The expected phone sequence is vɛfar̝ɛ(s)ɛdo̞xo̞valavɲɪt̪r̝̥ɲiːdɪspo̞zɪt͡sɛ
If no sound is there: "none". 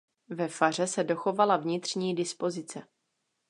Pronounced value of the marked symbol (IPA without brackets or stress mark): s